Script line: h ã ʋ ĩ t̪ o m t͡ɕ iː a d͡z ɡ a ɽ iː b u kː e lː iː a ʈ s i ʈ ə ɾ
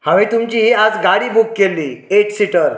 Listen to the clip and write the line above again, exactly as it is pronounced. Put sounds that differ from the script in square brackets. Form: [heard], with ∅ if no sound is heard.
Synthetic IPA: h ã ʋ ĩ t̪ [u] m t͡ɕ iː a d͡z ɡ a ɽ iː b u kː e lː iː [e] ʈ s i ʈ ə ɾ